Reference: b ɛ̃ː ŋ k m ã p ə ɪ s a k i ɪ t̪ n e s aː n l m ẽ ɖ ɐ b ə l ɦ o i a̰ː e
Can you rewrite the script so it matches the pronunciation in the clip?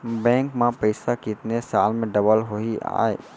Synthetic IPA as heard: b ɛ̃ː ŋ k m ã p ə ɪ s a k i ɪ t̪ n e s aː l m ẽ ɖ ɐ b ə l ɦ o i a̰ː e